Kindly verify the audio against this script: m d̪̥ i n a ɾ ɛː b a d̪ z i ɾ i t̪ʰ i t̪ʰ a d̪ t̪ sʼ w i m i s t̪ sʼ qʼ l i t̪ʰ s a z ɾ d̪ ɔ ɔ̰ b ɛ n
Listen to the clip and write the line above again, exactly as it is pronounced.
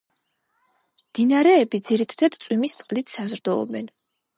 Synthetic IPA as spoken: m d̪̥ i n a ɾ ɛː b i d̪ z i ɾ i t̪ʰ a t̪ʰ a d̪ t̪ sʼ w i m i s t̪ sʼ qʼ l i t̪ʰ s a z ɾ d̪ ɔ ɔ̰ b ɛ n

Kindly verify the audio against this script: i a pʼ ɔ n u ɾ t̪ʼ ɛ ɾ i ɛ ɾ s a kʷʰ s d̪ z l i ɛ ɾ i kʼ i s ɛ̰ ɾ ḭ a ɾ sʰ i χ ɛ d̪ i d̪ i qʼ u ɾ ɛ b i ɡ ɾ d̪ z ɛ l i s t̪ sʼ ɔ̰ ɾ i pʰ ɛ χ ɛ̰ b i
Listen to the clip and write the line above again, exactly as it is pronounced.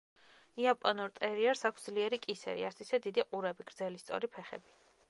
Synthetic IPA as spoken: i a pʼ ɔ n u ɾ t̪ʼ ɛ ɾ i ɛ ɾ s a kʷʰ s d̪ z l i ɛ ɾ i kʼ i s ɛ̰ ɾ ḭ a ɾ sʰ i s ɛ d̪ i d̪ i qʼ u ɾ ɛ b i ɡ ɾ d̪ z ɛ l i s t̪ sʼ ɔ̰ ɾ i pʰ ɛ χ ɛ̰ b i

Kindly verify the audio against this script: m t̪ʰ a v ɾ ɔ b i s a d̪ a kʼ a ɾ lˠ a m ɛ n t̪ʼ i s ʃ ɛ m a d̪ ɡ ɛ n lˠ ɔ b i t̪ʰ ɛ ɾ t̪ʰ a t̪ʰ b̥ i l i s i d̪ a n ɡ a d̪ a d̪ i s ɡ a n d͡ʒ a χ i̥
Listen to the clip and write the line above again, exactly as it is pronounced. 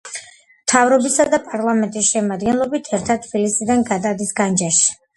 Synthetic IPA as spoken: m t̪ʰ a v ɾ ɔ b i s a d̪ a pʼ a ɾ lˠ a m ɛ n t̪ʼ i s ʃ ɛ m a d̪ ɡ ɛ n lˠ ɔ b i t̪ʰ ɛ ɾ t̪ʰ a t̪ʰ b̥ i l i s i d̪ a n ɡ a d̪ a d̪ i s ɡ a n d͡ʒ a ʃ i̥

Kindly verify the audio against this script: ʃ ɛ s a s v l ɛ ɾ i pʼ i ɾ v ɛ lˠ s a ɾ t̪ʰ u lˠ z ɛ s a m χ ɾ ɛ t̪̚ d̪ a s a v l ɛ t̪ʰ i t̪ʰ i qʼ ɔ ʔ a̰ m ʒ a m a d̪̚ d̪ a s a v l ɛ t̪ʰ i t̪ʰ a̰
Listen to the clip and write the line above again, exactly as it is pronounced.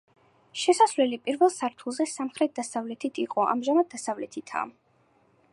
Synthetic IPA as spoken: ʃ ɛ s a s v l ɛ l i pʼ i ɾ v ɛ lˠ s a ɾ t̪ʰ u lˠ z ɛ s a m χ ɾ ɛ t̪̚ d̪ a s a v l ɛ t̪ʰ i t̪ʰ i qʼ ɔ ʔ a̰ m ʒ a m a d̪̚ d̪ a s a v l ɛ t̪ʰ i t̪ʰ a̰

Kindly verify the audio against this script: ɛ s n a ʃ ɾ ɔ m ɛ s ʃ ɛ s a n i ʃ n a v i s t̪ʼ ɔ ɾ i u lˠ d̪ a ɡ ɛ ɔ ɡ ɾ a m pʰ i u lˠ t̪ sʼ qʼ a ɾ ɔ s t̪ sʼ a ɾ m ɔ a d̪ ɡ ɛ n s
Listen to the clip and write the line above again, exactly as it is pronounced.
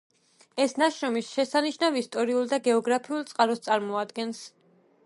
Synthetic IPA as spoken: ɛ s n a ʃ ɾ ɔ m i s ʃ ɛ s a n i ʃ n a v i s t̪ʼ ɔ ɾ i u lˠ d̪ a ɡ ɛ ɔ ɡ ɾ a pʰ i u lˠ t̪ sʼ qʼ a ɾ ɔ s t̪ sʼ a ɾ m ɔ a d̪ ɡ ɛ n s

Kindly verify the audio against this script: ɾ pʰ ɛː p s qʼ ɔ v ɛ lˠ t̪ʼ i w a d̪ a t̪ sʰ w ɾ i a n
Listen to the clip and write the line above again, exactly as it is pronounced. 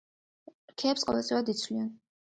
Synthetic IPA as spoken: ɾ kʰ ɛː p s qʼ ɔ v ɛ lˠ t̪ʼ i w a d̪ i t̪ sʰ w l i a n

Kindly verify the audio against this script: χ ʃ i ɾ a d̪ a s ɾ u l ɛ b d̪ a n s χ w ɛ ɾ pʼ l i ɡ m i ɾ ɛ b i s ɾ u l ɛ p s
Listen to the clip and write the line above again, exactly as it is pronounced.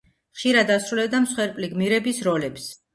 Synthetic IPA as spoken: χ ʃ i ɾ a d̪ a s ɾ u l ɛ b d̪ a m s χ w ɛ ɾ pʼ l i ɡ m i ɾ ɛ b i s ɾ ɔ l ɛ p s

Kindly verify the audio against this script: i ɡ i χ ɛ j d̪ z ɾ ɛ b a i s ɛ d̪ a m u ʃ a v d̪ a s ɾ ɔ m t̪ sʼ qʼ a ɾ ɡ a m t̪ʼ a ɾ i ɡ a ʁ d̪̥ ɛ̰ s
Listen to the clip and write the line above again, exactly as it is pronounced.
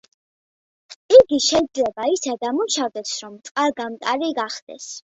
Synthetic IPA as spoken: i ɡ i ʃ ɛ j d̪ z l ɛ b a i s ɛ d̪ a m u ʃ a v d̪ ɛ s ɾ ɔ m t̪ sʼ qʼ a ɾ ɡ a m t̪ʼ a ɾ i ɡ a χ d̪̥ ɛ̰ s

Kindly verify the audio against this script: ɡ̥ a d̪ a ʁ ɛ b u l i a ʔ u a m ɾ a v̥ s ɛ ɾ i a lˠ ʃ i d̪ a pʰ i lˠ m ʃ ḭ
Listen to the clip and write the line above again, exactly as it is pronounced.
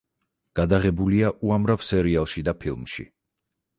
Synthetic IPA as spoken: ɡ̥ a d̪ a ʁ ɛ b u l i a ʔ u a m ɾ a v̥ s ɛ ɾ i a lˠ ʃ i d̪ a pʰ i lˠ m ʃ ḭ

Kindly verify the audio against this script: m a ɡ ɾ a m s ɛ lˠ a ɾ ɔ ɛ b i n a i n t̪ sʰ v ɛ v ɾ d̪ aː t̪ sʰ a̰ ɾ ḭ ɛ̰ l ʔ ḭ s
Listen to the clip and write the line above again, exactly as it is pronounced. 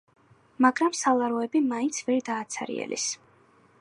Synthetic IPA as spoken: m a ɡ ɾ a m s a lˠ a ɾ ɔ ɛ b i m a i n t̪ sʰ v ɛ ɾ d̪ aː t̪ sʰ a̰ ɾ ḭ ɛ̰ l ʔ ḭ s

